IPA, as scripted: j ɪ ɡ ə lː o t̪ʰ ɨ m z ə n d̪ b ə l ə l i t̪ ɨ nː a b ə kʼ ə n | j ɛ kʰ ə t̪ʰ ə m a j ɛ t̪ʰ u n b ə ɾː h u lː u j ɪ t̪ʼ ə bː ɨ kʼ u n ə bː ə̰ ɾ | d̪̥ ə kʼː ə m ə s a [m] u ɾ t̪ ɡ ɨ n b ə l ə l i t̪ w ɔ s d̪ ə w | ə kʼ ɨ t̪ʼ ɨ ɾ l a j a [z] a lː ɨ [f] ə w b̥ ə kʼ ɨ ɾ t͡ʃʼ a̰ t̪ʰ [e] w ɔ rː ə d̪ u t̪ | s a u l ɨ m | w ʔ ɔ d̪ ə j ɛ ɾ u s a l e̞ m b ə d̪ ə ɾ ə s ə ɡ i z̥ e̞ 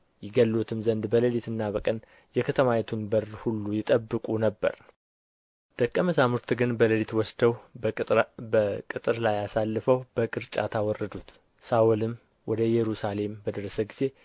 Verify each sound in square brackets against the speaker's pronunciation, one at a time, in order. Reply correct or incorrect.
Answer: correct, incorrect, correct, incorrect

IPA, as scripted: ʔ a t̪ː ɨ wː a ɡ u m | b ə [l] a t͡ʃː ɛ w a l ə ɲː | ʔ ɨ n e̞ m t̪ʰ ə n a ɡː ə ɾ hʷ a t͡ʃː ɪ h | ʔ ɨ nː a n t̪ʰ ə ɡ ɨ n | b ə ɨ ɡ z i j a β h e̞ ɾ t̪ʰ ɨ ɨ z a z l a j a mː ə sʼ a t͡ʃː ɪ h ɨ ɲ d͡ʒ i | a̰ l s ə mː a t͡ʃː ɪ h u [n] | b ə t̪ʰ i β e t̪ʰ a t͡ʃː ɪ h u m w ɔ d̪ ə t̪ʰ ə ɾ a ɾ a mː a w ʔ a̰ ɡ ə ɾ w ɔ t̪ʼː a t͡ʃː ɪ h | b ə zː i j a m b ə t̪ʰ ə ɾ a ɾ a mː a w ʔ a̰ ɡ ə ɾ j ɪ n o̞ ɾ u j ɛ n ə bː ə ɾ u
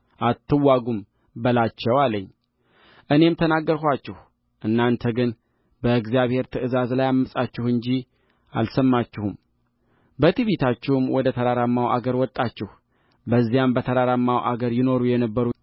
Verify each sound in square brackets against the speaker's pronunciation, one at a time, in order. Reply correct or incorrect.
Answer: correct, incorrect

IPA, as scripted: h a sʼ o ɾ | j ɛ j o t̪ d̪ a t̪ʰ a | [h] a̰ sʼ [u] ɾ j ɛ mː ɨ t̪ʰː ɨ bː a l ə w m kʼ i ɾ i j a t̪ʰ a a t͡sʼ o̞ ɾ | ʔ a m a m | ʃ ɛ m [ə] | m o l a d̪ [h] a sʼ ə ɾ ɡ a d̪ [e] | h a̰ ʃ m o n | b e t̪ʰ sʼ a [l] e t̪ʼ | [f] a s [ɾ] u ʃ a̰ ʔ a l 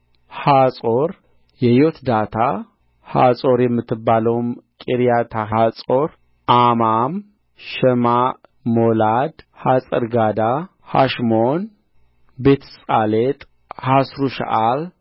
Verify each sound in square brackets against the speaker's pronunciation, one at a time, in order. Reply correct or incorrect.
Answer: correct, incorrect, incorrect, correct, incorrect, correct, incorrect, correct

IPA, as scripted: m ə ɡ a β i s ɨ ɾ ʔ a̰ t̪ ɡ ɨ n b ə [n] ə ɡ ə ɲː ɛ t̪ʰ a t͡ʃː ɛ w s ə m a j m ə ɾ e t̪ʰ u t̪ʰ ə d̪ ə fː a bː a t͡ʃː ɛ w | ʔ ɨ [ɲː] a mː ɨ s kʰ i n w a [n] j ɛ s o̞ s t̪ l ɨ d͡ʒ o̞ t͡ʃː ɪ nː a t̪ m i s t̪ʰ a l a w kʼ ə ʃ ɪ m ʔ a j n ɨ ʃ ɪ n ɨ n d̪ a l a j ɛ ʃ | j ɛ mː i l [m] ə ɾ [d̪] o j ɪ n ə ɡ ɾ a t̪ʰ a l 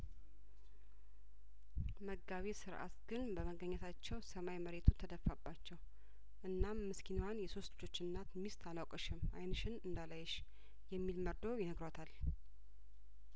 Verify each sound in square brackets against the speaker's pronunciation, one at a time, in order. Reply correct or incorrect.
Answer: incorrect, incorrect, correct, correct, correct

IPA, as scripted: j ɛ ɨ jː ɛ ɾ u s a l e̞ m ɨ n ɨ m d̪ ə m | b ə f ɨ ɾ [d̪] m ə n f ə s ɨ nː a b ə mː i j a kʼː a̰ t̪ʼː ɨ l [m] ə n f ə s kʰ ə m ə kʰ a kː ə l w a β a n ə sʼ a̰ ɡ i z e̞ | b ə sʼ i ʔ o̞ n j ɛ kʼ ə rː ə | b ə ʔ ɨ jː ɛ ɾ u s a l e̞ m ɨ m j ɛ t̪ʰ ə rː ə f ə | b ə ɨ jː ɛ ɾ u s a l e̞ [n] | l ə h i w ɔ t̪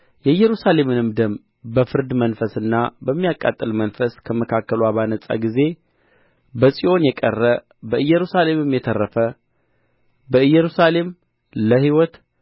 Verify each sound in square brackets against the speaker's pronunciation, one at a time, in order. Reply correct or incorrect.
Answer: correct, correct, incorrect

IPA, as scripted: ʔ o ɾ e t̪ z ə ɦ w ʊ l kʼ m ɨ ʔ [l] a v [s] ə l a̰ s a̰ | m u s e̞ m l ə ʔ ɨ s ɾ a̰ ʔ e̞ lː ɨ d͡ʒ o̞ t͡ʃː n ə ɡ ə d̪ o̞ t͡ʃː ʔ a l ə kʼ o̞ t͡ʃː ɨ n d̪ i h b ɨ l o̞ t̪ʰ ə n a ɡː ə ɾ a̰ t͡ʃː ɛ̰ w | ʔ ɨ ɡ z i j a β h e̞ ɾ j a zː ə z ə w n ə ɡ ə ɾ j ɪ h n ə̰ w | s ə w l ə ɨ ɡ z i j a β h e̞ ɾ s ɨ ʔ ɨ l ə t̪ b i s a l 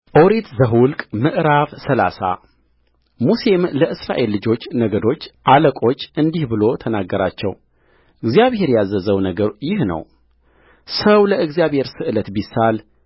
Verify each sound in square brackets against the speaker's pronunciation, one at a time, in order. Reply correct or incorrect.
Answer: incorrect, correct

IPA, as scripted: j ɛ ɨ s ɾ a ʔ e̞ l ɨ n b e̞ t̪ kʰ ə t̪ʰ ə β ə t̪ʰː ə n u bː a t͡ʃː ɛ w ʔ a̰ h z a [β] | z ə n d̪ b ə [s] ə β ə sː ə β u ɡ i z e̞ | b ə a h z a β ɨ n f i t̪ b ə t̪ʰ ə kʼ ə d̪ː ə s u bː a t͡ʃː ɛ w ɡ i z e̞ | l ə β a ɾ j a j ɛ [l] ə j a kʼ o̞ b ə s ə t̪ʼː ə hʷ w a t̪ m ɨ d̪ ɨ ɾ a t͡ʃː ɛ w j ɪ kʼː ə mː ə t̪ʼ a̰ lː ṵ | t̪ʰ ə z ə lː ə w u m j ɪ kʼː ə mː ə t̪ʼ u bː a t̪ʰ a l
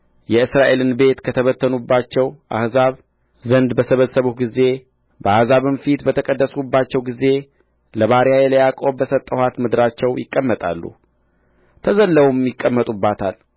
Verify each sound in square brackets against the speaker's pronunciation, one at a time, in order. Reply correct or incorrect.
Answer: correct, correct, correct

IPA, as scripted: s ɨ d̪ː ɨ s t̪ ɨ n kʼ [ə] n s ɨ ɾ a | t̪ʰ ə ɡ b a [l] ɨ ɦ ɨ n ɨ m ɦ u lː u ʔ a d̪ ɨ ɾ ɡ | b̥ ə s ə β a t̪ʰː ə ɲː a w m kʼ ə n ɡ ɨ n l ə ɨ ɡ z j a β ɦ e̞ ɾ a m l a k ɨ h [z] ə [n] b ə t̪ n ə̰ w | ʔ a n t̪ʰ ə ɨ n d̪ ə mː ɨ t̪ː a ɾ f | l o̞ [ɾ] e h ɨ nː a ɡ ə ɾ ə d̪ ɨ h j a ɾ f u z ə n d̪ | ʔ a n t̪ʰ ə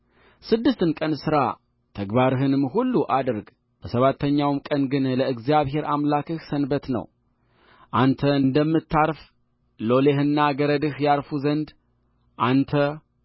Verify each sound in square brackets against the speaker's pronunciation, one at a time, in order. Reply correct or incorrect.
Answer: correct, incorrect, incorrect, correct, incorrect

